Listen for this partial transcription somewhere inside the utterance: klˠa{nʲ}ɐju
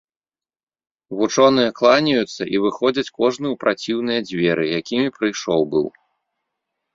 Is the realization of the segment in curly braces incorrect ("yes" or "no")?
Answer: no